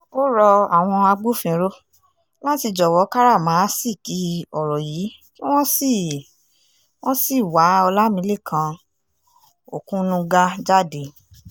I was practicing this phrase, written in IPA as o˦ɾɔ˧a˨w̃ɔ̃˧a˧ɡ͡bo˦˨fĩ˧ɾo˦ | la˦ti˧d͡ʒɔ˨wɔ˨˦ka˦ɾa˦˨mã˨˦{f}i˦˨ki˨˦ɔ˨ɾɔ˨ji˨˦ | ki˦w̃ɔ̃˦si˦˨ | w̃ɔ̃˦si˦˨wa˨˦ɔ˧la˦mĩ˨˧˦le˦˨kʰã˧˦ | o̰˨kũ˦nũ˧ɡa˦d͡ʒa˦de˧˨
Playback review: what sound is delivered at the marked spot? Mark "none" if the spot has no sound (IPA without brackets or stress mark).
s